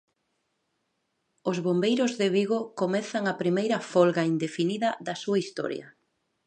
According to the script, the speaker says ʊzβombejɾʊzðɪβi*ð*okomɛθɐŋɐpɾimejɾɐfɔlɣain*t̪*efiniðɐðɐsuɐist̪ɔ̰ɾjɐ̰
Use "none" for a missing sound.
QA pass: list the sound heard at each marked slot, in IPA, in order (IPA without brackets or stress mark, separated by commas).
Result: ɣ, d̪